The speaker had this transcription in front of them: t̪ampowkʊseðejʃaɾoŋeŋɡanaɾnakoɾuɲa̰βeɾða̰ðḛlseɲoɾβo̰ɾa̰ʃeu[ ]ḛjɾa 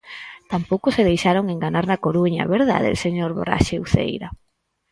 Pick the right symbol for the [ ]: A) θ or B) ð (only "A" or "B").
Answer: A